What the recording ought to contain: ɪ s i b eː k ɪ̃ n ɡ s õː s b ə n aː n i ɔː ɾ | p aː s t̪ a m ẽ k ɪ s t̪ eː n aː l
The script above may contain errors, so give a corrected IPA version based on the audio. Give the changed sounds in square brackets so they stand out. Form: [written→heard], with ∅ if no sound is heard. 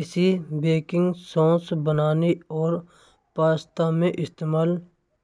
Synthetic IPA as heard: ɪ s i b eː k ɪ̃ [n→ŋ] ɡ s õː s b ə n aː n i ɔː ɾ | p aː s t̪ a m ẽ [k→ʔ] ɪ s t̪ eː [n→m] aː l